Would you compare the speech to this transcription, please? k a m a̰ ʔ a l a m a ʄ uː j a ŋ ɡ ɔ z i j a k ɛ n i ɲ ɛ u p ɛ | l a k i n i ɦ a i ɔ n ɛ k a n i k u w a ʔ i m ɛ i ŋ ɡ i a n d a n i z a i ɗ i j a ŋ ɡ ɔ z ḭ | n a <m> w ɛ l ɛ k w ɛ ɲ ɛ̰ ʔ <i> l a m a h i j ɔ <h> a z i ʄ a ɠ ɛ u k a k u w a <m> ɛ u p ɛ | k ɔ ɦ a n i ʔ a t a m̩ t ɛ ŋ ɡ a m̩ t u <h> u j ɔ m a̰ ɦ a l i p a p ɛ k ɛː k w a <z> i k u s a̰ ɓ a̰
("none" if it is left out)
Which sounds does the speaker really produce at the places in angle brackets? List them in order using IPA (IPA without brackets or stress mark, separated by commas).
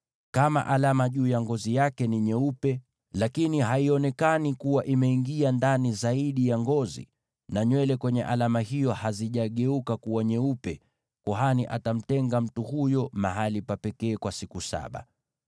ɲ, a, h, ɲ, h, s